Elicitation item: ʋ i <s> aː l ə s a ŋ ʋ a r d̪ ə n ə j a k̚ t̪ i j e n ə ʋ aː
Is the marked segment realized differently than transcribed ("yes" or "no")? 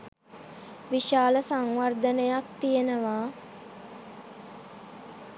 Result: yes